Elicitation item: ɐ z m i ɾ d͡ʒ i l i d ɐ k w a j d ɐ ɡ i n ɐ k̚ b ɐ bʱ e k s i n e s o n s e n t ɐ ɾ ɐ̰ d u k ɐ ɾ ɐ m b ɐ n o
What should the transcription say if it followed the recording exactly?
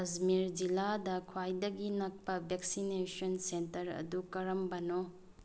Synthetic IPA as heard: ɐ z m i ɾ d͡ʒ i l a d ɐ kʰ w a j d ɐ ɡ i n ɐ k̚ p ɐ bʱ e k s i n e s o n s e n t ɐ ɾ ɐ̰ d u k ɐ ɾ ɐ m b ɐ n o

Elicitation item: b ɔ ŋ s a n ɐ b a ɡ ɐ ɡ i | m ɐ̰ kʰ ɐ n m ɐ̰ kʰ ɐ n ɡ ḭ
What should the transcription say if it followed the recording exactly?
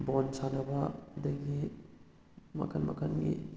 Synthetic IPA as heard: b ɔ n s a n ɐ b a d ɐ ɡ i | m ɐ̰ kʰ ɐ n m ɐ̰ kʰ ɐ n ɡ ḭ

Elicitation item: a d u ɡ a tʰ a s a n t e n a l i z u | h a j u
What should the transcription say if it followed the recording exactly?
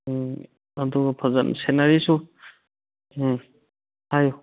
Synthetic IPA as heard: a d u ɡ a pʰ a z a n s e n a ɾ i s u | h a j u

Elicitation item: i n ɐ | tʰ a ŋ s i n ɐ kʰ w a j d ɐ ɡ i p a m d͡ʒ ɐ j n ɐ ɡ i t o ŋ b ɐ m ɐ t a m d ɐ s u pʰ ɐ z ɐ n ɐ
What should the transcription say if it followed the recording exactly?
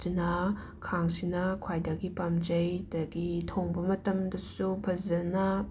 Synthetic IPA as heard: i n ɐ | kʰ a ŋ s i n ɐ kʰ w a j d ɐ ɡ i p a m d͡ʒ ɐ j d ɐ ɡ i tʰ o ŋ b ɐ m ɐ t ɐ m d ɐ s u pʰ ɐ z ɐ n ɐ

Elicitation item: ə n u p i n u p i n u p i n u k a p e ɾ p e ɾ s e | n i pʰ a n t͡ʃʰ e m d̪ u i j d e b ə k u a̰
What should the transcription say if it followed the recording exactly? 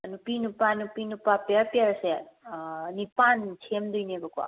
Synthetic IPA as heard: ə n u p i n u p a n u p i n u p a p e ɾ p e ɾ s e | n i p a n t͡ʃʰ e m d̪ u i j n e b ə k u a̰

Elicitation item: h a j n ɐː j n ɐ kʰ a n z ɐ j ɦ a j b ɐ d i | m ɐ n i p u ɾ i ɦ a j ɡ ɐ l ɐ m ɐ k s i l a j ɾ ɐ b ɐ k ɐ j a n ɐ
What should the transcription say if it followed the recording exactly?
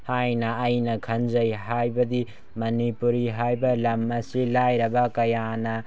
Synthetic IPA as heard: h a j n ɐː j n ɐ kʰ ɐ n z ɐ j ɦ a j b ɐ d i | m ɐ n i p u ɾ i ɦ a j b ɐ l ɐ m ɐ s i l a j ɾ ɐ b ɐ k ɐ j a n ɐ

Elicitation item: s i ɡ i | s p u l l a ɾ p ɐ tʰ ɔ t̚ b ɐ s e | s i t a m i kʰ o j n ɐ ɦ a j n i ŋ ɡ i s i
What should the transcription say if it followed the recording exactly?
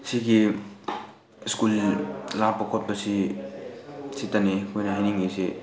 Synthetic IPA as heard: s i ɡ i | s k u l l a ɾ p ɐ kʰ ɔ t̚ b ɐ s i | s i t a n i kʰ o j n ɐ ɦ a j n i ŋ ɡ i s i

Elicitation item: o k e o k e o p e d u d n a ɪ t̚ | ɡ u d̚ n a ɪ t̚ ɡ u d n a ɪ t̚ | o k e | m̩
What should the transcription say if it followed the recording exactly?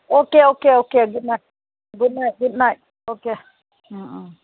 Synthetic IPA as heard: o k e o k e o k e ɡ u d n a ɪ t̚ | ɡ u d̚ n a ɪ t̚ ɡ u d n a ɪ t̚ | o k e | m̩

